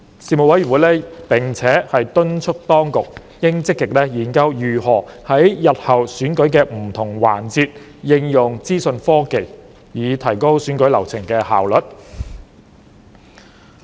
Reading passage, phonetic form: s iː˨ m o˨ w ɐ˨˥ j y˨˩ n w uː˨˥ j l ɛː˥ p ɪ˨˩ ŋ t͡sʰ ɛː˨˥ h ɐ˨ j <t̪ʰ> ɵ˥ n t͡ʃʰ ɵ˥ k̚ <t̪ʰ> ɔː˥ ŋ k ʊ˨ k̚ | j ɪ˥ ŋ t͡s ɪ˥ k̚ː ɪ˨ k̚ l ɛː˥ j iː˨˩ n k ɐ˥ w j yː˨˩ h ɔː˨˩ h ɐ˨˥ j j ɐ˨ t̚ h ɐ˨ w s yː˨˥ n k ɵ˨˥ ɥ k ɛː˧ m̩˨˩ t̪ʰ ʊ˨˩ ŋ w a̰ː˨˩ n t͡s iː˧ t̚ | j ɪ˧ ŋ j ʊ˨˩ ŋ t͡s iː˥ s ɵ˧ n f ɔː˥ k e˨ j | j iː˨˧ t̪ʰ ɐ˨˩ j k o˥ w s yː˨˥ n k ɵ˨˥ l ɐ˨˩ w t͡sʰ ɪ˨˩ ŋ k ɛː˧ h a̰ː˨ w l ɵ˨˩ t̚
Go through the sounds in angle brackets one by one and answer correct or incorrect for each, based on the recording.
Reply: incorrect, incorrect

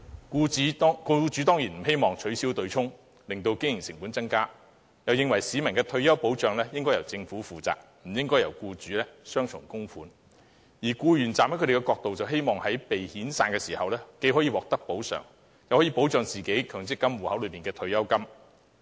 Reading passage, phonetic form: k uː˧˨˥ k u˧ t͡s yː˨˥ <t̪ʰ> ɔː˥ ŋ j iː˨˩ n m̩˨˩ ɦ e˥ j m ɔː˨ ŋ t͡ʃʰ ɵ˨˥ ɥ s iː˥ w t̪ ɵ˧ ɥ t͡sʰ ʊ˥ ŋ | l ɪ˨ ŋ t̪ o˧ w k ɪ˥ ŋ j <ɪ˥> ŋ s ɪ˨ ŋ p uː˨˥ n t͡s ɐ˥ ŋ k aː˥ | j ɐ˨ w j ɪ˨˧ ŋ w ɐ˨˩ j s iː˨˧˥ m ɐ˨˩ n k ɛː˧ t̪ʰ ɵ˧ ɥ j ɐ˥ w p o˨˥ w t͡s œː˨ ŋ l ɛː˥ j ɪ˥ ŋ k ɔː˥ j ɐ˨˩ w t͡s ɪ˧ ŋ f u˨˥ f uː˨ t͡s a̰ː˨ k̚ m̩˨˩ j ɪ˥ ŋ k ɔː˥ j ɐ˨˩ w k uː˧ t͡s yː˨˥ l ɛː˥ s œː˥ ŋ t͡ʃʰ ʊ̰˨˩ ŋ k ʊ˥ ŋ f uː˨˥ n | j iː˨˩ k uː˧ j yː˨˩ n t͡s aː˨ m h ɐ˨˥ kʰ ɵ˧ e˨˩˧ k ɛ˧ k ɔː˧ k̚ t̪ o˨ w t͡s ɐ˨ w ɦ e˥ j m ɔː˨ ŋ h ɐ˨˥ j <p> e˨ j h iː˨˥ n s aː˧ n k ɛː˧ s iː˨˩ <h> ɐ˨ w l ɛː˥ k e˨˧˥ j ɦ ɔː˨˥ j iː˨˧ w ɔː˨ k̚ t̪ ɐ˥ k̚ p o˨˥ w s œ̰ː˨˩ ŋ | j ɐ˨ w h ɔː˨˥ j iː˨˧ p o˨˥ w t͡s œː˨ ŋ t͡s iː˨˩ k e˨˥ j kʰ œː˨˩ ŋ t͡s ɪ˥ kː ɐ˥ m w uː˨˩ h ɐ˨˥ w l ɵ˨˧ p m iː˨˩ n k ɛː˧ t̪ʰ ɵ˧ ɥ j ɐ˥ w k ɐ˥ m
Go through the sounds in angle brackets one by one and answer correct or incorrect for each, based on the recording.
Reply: incorrect, incorrect, correct, correct

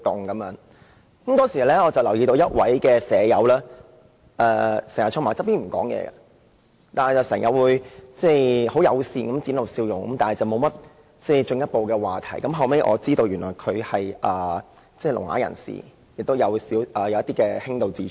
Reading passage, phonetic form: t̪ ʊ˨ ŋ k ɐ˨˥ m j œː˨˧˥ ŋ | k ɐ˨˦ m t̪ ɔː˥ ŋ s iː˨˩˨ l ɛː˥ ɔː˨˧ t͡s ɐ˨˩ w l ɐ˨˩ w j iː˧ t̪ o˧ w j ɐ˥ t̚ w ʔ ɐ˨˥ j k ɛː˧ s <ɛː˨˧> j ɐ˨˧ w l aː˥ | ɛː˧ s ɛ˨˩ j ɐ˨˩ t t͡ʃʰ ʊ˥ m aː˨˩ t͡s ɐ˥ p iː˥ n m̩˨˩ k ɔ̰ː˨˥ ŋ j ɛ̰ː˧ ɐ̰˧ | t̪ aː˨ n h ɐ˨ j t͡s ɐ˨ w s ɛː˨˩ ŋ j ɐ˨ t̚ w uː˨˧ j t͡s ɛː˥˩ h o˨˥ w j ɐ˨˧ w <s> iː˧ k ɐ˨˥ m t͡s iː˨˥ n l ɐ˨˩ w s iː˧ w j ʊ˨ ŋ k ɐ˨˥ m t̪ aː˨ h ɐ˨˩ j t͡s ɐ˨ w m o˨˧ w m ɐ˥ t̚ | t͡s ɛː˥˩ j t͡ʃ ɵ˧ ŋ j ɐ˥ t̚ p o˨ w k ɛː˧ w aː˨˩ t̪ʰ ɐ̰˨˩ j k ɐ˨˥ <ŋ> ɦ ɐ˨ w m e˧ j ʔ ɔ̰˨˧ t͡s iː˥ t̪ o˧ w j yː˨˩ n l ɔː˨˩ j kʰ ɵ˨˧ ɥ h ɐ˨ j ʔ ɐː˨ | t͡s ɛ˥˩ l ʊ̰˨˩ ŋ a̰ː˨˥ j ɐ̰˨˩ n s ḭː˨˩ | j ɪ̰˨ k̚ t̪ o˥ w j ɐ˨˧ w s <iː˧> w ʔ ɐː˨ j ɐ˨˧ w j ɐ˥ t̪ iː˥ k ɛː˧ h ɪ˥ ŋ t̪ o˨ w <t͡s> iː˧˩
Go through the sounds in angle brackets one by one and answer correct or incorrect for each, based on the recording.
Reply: correct, correct, incorrect, incorrect, correct

